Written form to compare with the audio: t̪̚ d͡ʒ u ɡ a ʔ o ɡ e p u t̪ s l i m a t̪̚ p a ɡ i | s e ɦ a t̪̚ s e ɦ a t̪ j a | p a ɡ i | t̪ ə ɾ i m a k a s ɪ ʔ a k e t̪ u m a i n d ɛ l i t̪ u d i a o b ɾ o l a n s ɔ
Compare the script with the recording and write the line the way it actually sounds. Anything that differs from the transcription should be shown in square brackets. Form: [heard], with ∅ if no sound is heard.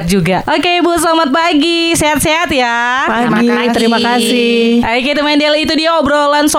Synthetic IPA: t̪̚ d͡ʒ u ɡ a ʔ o [k] e [b] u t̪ s l [a] m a t̪̚ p a ɡ i | s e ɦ a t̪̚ s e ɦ a t̪ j a | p a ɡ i | t̪ ə ɾ i m a k a s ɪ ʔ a k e t̪ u m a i n d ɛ l i t̪ u d i a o b ɾ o l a n s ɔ